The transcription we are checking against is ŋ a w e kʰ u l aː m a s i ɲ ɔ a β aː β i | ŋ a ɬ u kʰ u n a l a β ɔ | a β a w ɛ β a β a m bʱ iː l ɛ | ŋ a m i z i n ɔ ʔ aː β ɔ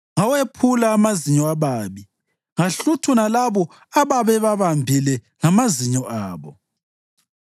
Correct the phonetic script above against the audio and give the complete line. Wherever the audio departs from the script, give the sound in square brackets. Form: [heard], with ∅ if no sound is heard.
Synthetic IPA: ŋ a w e [pʰ] u l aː m a [z] i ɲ ɔ a β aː β i | ŋ a ɬ u [tʰ] u n a l a β ɔ | a β a [β] ɛ β a β a m bʱ [i] l ɛ | ŋ a m [a] z i [ɲ] ɔ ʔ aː β ɔ